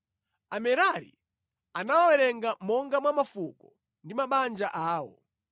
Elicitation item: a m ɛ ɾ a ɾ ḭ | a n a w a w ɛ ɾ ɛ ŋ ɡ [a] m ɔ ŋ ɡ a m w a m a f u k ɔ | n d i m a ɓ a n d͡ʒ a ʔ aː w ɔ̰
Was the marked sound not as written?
no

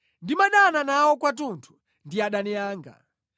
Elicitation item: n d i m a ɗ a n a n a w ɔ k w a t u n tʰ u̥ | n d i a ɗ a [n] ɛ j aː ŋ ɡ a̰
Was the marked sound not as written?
no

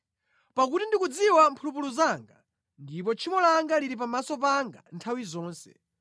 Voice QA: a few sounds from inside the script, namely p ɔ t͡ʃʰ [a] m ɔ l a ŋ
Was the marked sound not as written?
yes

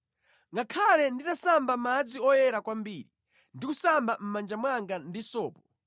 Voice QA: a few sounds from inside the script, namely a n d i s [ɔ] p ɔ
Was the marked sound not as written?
yes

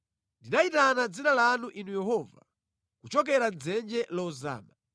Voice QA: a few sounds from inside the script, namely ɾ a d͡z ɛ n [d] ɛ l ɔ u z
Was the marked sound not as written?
yes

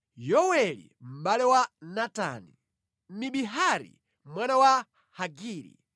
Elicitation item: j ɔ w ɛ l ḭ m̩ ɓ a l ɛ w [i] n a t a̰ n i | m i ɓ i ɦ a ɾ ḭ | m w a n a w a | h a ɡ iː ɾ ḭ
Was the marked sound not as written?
yes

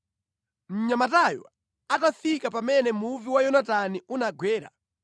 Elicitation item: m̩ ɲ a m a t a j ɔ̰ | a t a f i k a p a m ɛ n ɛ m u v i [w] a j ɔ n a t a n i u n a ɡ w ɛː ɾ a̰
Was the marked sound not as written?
no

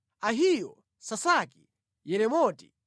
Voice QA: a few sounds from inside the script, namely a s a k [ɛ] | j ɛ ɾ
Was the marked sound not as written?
yes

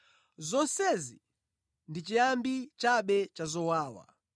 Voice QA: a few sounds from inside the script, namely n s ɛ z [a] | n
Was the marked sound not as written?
yes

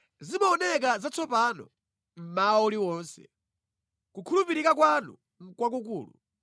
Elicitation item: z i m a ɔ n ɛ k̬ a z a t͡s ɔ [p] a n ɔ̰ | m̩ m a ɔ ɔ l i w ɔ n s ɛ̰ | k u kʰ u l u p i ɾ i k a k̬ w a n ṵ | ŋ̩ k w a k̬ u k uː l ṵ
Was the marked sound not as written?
no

